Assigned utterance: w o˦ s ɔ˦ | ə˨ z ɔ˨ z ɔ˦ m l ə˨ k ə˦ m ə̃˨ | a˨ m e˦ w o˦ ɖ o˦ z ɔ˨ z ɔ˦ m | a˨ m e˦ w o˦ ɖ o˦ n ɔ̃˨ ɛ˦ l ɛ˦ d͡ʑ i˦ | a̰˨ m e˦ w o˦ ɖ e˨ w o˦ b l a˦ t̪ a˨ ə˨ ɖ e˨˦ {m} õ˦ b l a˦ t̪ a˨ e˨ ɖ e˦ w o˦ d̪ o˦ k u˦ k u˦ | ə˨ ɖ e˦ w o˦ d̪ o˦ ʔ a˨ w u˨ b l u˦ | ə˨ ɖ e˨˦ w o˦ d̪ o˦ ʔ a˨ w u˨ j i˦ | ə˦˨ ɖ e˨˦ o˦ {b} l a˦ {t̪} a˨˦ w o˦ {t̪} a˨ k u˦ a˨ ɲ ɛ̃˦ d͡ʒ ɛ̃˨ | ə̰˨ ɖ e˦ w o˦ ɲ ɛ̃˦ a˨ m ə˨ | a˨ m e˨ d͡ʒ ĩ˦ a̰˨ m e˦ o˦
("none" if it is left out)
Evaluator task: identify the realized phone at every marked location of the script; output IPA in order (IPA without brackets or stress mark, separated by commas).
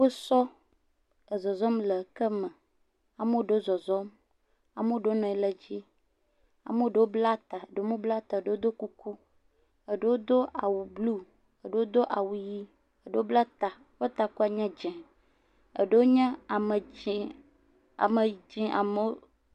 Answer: m, b, t̪, t̪